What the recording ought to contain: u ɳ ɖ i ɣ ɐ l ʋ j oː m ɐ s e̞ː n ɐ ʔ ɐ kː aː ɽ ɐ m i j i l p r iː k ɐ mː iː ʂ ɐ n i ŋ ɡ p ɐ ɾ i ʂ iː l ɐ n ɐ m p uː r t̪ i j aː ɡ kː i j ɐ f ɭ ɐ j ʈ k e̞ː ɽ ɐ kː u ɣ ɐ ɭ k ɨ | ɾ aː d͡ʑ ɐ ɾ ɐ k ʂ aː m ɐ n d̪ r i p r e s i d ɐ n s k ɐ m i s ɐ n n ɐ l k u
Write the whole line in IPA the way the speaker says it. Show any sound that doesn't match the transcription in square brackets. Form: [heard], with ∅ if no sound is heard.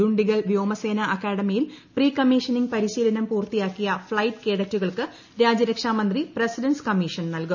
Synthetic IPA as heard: u ɳ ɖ i ɣ ɐ l ʋ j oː m ɐ s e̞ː n ɐ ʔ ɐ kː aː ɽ ɐ m i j i l p r iː k ɐ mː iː ʂ ɐ n i ŋ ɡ p ɐ ɾ i [ɕ] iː l ɐ n ɐ m p uː r t̪ i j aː [∅] kː i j ɐ f ɭ ɐ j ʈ k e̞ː ɽ ɐ [tː] u ɣ ɐ ɭ k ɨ | ɾ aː d͡ʑ ɐ ɾ ɐ k ʂ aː m ɐ n d̪ r i p r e s i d ɐ n s k ɐ m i [ʂ] ɐ n n ɐ l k u